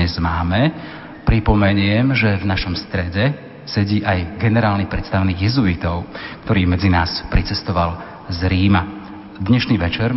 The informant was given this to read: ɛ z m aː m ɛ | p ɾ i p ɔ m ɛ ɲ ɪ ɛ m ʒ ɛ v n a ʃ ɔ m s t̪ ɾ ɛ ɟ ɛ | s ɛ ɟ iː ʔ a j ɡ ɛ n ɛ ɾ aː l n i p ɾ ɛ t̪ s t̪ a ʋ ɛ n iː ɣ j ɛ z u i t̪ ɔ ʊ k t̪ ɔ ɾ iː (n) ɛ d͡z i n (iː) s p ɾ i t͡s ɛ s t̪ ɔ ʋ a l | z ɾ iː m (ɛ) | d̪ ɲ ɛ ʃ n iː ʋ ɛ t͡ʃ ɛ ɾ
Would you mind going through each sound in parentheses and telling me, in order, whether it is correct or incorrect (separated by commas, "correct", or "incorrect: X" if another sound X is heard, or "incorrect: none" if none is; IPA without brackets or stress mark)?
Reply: incorrect: m, incorrect: aː, incorrect: a